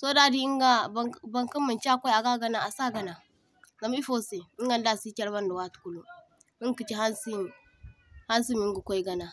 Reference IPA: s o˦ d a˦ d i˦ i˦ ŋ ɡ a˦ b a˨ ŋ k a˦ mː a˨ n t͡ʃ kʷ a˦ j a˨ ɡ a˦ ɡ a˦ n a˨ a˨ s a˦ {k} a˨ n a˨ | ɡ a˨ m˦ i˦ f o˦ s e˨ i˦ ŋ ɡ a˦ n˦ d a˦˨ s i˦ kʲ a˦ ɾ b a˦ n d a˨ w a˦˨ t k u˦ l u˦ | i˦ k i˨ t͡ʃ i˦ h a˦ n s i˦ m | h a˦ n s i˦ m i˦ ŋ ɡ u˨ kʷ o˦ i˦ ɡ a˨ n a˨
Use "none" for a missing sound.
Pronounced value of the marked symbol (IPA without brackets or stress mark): ɡ